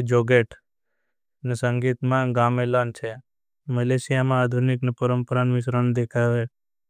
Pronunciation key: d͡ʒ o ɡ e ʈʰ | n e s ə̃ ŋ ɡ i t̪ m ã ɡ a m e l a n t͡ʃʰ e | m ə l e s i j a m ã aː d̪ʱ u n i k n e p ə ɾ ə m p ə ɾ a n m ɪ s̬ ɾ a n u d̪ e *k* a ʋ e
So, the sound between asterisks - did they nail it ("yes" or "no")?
no